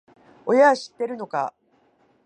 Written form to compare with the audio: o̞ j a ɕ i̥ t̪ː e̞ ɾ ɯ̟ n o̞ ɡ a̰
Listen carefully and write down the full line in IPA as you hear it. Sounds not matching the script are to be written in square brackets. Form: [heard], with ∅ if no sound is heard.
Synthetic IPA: o̞ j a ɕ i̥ t̪ː e̞ ɾ ɯ̟ n o̞ [k] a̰